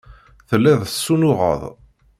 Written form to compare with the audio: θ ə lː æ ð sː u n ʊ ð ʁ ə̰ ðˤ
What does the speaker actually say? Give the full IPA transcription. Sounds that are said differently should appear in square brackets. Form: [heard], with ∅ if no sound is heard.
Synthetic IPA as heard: θ ə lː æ ð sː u n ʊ [∅] ʁ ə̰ ðˤ